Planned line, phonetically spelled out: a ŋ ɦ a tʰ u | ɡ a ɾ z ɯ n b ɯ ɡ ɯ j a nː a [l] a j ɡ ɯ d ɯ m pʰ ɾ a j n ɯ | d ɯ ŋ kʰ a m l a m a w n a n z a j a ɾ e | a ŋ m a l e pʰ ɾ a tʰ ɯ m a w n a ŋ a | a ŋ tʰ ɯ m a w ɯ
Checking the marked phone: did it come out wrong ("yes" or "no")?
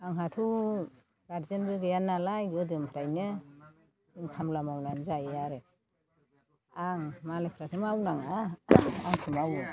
no